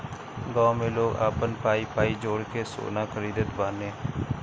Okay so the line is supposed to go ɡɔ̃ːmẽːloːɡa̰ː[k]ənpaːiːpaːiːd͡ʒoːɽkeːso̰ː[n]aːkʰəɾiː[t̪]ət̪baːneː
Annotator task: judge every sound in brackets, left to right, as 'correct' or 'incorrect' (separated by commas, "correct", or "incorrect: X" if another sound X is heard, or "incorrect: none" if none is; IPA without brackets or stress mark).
incorrect: p, correct, incorrect: d̪